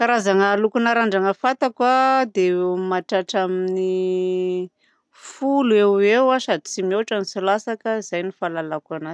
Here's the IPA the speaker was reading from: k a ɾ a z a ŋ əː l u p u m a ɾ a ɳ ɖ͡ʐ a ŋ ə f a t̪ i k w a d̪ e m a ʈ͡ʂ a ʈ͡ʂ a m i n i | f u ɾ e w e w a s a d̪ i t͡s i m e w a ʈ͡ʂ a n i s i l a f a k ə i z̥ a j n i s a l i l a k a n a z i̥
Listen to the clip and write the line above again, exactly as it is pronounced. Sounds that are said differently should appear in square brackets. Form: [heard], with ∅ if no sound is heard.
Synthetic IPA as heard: k a ɾ a z a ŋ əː l u [k] u [n] a ɾ a ɳ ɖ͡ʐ a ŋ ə f a t̪ [a] k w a d̪ e m a ʈ͡ʂ a ʈ͡ʂ a m i n i | f u [l] e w e w a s a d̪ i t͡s i m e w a ʈ͡ʂ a n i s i l a [s] a k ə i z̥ a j n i [f] a l [a] l a k a n a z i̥

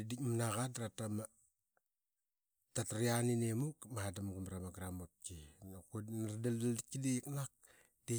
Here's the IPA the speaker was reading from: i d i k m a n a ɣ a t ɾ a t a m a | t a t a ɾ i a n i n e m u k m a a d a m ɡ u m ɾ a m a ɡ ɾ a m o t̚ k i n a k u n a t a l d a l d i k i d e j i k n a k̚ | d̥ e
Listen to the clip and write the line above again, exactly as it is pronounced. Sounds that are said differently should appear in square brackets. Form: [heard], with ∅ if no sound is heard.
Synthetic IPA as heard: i d i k m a n a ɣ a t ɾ a t a m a | t a t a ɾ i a n i n e m u k m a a d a m ɡ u m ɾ a m a ɡ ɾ a m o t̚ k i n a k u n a [d] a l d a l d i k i d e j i k n a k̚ | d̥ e

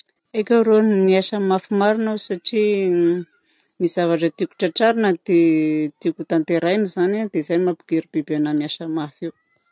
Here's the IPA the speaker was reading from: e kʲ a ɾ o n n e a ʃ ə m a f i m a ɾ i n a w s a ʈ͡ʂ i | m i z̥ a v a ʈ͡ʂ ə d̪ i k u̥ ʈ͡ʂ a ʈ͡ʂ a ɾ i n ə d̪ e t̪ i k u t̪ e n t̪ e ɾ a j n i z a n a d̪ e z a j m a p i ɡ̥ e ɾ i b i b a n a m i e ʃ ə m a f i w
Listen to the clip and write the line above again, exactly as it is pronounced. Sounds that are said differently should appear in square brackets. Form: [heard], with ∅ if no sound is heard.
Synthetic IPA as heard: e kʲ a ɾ o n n [i] a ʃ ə m a f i m a ɾ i n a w s a ʈ͡ʂ i | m i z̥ a v a ʈ͡ʂ ə [t̪] i k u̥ ʈ͡ʂ a ʈ͡ʂ a ɾ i n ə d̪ e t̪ i k u t̪ [a] n t̪ e ɾ a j n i z a n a d̪ e z a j m a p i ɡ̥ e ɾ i b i b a n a m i [a] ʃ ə m a f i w

